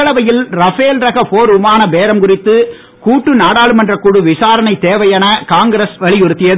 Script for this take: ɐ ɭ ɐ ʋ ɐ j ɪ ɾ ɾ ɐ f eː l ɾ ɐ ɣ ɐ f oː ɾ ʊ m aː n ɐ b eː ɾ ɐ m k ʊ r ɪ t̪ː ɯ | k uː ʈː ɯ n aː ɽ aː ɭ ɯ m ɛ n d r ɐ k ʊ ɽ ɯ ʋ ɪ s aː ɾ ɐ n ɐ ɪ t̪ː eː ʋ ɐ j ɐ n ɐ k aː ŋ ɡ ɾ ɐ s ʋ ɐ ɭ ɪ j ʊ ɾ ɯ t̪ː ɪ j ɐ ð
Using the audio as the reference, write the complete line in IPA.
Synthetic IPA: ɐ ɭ ɐ ʋ ɐ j ɪ l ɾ ɐ f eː l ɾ ɐ ɣ ɐ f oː ɾ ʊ m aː n ɐ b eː ɾ ɐ m k ʊ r ɪ t̪ː ɯ | k uː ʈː ɯ n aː ɽ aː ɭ ɯ m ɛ n d r ɐ k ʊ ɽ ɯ ʋ ɪ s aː ɾ ɐ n ɐ ɪ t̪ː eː ʋ ɐ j ɐ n ɐ k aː ŋ ɡ ɾ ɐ s ʋ ɐ ɭ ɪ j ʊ ɾ ɯ t̪ː ɪ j ɐ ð